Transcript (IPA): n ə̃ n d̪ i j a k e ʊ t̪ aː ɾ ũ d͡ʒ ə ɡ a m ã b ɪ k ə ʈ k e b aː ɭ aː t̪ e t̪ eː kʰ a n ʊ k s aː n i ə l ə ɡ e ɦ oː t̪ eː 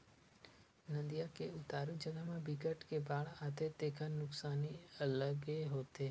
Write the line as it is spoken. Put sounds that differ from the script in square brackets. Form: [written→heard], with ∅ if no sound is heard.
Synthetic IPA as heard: n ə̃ n d̪ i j a k e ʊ t̪ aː ɾ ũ d͡ʒ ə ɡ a m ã b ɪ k ə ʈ k e b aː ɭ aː t̪ e t̪ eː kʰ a n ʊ k s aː n i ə l ə ɡ e ɦ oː t̪ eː